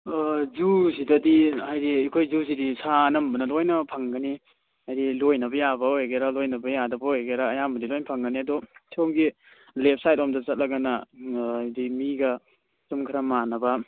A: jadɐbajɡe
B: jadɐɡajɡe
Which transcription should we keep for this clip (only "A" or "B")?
A